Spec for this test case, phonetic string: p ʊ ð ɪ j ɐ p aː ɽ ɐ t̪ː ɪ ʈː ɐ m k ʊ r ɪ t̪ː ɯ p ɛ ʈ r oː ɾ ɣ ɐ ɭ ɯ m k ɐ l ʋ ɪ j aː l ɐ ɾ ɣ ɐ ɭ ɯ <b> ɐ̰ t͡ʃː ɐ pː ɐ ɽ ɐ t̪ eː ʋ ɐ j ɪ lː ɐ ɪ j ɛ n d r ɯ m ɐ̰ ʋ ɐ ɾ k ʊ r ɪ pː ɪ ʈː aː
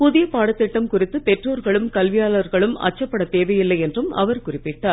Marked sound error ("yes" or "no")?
yes